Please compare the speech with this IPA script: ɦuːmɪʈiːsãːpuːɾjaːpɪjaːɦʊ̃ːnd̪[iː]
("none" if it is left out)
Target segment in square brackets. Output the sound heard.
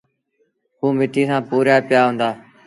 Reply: aː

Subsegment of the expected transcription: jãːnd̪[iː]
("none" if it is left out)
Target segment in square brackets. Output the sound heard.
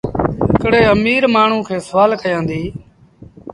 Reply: iː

